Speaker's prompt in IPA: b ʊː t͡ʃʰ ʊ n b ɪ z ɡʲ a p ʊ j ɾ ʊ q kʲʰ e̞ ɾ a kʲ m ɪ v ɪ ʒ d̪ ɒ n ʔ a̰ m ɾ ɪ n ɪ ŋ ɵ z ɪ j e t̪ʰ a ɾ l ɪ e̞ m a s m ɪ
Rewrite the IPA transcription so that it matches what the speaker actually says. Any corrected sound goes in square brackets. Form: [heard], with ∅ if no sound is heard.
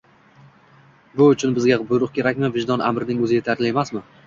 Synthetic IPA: b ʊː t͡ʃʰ ʊ n b ɪ z ɡʲ a [b] ʊ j ɾ ʊ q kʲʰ e̞ ɾ a kʲ m ɪ v ɪ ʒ d̪ ɒ n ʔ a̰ m ɾ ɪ n ɪ ŋ ɵ z ɪ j e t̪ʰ a ɾ l ɪ e̞ m a s m ɪ